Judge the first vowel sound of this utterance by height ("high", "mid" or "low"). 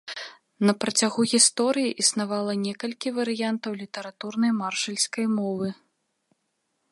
low